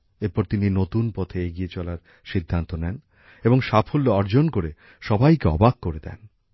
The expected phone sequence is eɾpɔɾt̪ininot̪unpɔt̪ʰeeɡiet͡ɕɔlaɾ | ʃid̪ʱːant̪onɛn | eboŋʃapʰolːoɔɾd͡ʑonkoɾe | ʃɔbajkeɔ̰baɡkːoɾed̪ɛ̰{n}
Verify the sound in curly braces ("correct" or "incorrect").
correct